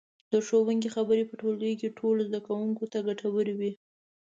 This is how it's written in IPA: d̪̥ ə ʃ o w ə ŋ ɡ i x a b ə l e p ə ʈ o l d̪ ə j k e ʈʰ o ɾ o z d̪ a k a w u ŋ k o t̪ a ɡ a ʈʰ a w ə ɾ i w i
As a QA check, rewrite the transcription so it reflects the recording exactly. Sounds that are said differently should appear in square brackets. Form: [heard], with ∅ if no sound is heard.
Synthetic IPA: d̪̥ ə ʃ o w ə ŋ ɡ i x a b ə [ɾ] e p ə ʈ o l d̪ ə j k e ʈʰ o [l] o z d̪ a k a w u ŋ k o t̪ a ɡ a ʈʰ a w ə ɾ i w i